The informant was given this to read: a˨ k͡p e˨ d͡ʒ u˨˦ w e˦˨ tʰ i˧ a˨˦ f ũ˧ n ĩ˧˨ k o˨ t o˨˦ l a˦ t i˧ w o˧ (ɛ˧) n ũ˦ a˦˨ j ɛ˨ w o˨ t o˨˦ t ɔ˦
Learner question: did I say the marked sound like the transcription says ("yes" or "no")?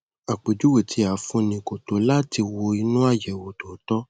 no